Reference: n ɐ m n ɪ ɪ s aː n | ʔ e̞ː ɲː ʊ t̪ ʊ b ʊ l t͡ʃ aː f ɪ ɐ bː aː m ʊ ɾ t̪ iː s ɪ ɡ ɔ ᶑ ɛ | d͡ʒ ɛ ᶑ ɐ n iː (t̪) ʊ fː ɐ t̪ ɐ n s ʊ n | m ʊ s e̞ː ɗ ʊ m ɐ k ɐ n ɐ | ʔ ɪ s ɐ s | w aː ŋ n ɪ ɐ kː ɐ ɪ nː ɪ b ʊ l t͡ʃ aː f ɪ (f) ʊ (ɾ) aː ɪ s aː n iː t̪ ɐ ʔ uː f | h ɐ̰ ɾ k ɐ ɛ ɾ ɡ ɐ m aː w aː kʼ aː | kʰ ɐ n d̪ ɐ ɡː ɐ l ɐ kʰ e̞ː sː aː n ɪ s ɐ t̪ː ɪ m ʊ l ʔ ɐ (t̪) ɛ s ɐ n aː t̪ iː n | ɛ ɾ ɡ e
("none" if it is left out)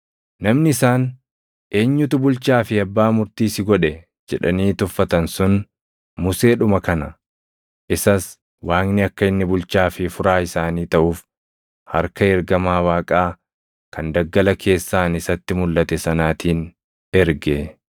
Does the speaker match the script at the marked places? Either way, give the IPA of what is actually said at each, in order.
t̪, f, ɾ, t̪

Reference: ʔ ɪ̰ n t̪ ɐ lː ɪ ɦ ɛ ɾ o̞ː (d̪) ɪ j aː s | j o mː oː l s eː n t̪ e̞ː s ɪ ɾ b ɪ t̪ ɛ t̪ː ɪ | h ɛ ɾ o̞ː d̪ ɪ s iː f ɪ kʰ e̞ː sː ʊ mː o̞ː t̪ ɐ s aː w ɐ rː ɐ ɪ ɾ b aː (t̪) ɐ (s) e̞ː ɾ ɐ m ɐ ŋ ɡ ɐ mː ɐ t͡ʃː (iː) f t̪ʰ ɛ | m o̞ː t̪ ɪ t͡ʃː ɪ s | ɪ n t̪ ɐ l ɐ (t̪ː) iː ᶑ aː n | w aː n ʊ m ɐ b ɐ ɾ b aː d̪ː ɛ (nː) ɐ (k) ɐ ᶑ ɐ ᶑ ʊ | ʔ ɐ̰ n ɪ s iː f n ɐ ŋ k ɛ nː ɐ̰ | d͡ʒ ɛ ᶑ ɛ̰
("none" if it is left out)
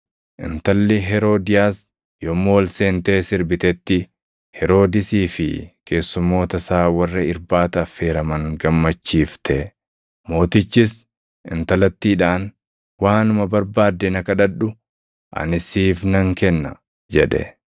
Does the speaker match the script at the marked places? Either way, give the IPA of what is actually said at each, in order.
d̪, t̪, f, iː, t̪ː, n, k

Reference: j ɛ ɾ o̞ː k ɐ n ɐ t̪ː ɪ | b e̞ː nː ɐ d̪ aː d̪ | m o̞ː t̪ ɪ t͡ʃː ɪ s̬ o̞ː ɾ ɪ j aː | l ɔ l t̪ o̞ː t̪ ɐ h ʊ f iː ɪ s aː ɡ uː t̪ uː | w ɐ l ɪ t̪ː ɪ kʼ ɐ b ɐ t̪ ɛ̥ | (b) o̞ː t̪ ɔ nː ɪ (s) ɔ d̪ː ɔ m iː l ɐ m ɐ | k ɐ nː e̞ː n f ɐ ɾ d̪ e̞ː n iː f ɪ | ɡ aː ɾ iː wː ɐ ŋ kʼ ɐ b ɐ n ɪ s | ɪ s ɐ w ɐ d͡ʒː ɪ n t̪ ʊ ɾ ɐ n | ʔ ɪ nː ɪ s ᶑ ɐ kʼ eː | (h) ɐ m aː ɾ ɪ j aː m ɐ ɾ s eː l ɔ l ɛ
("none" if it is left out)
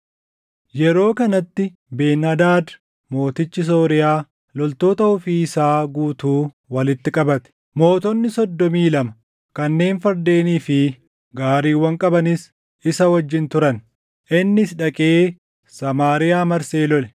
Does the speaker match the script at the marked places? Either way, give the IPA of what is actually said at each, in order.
m, s, s

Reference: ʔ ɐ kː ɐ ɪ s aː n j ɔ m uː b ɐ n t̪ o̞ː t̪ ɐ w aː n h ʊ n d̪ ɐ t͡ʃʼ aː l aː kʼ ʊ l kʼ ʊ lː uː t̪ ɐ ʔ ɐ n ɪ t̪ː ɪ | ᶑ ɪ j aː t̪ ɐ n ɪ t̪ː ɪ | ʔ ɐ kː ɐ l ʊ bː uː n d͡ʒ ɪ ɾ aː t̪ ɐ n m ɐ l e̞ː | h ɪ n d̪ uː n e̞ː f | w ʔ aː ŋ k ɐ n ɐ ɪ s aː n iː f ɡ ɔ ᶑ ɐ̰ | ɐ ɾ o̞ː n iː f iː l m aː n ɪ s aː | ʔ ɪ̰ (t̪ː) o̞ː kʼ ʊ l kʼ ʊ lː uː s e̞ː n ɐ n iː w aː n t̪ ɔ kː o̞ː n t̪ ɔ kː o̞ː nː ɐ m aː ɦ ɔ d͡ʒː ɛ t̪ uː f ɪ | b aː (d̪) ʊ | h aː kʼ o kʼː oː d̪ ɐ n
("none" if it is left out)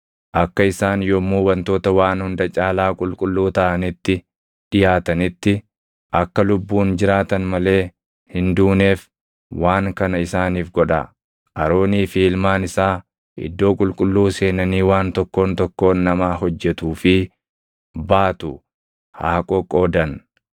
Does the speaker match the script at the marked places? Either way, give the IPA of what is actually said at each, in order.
d̪ː, t̪

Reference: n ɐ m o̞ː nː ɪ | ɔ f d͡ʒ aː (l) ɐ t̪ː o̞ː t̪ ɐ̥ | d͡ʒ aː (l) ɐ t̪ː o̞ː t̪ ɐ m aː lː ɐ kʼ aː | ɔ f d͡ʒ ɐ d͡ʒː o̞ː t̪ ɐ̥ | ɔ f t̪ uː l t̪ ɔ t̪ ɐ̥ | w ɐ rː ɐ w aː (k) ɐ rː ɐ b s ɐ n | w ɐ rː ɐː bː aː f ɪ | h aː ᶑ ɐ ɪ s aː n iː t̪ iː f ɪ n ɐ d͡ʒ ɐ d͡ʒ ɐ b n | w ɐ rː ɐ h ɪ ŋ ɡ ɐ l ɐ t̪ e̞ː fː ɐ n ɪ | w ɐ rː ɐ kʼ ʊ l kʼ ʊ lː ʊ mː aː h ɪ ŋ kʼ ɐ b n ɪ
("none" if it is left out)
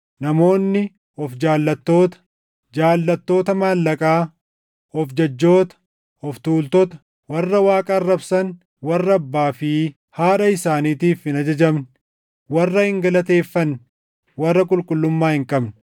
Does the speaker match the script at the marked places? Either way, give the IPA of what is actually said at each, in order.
lː, lː, kʼ

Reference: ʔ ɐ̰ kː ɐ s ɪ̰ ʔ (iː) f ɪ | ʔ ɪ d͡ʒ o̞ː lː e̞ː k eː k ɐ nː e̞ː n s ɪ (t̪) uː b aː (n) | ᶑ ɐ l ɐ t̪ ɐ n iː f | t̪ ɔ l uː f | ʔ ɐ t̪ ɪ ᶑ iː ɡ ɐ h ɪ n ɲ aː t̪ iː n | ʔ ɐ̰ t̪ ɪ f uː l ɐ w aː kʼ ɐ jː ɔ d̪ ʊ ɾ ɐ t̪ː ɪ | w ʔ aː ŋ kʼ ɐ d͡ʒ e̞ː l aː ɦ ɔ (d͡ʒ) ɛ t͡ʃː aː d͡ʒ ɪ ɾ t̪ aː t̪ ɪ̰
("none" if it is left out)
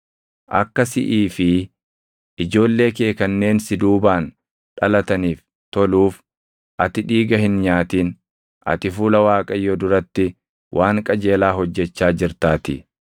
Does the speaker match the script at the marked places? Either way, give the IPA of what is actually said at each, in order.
iː, d̪, n, d͡ʒː

